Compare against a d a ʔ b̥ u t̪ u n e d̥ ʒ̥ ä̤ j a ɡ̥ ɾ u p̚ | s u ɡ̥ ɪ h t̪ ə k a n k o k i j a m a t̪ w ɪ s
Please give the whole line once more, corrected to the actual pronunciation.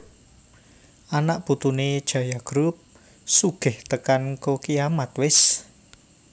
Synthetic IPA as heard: a n a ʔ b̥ u t̪ u n e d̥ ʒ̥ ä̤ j a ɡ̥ ɾ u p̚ | s u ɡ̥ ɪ h t̪ ə k a n k o k i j a m a t̪ w ɪ s